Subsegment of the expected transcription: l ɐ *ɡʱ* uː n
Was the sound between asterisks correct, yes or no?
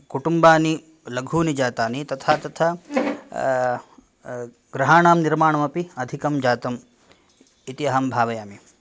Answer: yes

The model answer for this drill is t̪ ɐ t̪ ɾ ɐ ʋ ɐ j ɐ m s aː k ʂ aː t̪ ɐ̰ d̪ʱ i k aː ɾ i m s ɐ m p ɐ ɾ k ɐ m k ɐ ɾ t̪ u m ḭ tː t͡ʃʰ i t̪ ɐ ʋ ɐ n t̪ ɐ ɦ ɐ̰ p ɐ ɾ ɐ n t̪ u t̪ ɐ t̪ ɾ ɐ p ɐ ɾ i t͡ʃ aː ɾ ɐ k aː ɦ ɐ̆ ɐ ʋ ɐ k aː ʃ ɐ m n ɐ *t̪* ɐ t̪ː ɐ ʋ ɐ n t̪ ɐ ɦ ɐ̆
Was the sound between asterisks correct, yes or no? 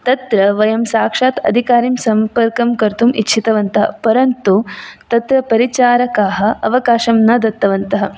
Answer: no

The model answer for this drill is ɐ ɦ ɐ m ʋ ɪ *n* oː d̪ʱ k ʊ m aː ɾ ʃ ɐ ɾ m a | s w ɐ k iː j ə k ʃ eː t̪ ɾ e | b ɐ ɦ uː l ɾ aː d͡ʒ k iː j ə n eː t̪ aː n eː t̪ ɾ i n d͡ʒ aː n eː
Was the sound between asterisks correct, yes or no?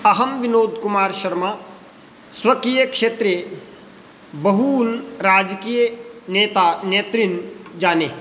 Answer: yes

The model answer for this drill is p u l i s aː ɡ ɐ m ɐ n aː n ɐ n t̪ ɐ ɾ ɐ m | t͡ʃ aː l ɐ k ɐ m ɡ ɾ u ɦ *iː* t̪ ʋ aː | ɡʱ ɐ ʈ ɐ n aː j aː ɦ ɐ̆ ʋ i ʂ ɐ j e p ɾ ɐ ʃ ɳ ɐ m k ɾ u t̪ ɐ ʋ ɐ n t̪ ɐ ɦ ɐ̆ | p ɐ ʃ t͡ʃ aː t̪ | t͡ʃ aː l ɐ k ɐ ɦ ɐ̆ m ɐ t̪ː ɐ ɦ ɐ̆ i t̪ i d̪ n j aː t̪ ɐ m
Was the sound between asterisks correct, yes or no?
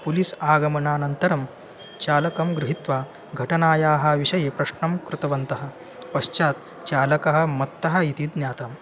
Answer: no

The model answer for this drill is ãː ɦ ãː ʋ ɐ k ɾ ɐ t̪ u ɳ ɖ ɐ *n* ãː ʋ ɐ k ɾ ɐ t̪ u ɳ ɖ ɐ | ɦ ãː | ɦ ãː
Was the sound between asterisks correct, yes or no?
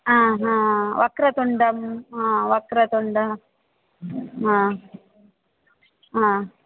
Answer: no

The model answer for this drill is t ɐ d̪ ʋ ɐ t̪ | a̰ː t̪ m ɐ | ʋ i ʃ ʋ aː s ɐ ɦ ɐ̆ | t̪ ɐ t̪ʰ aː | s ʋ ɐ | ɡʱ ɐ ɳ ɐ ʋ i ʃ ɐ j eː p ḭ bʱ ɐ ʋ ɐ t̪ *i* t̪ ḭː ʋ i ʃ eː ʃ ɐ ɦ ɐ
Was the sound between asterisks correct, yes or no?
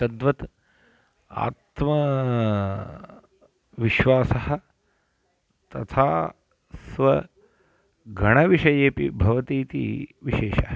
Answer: no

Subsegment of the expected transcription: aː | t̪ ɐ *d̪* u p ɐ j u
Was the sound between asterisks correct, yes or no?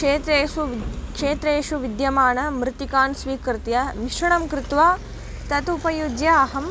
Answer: no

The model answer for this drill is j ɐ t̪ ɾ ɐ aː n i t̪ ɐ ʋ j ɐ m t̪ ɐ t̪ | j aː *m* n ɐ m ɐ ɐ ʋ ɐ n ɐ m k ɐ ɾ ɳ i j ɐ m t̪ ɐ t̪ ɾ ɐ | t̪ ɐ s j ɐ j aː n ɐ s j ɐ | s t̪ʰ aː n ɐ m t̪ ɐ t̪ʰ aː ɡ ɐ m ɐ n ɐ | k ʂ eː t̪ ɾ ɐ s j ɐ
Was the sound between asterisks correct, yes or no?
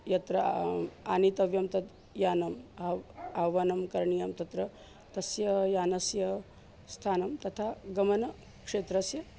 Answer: no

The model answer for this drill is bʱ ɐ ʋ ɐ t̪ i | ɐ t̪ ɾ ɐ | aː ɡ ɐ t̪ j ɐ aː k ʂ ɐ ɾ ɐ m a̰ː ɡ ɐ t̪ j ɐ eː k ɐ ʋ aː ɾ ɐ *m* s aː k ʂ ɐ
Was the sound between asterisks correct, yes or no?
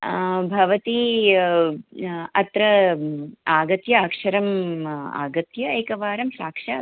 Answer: yes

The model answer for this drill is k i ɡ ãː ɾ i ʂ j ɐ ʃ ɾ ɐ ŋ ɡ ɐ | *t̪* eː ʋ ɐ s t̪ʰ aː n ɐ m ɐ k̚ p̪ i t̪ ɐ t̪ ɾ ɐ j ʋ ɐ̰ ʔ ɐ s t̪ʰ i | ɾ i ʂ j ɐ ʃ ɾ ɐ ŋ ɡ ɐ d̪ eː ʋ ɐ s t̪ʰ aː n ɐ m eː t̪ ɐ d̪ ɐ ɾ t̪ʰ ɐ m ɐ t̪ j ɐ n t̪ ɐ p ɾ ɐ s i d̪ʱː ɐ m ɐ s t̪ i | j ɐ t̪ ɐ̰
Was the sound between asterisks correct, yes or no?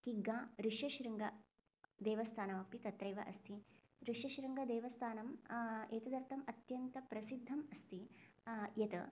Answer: no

